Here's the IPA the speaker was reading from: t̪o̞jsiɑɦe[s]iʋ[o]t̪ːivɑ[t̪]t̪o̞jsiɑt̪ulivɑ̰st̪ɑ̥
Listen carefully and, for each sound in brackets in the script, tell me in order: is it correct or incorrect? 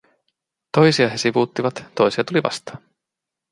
correct, incorrect, correct

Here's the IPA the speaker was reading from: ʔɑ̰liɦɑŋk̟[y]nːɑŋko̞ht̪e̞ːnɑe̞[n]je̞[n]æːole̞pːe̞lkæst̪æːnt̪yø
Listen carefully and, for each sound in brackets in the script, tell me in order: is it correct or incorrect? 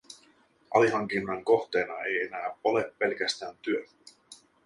incorrect, incorrect, correct

